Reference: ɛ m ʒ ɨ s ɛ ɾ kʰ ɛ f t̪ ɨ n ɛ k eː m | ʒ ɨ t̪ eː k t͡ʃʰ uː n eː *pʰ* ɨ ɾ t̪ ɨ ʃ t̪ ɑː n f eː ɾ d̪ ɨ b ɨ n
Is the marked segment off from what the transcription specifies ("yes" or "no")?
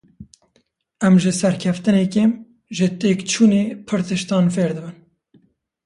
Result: no